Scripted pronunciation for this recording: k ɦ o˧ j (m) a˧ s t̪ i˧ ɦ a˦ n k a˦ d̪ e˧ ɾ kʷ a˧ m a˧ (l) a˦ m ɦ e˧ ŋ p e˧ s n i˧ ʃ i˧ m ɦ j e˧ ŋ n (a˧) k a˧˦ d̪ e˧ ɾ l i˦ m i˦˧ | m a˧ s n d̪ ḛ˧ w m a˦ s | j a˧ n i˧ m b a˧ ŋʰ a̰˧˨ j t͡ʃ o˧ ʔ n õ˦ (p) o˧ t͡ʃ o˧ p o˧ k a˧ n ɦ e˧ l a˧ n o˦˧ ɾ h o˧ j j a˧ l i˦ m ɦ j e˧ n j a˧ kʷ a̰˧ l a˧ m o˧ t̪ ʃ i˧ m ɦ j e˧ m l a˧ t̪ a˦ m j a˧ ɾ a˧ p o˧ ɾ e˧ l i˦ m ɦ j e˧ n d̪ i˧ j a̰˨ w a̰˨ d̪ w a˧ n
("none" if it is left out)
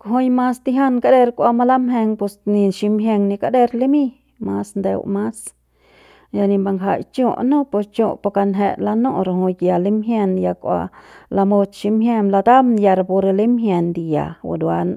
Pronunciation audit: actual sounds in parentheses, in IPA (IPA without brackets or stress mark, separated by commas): m, l, i˧, p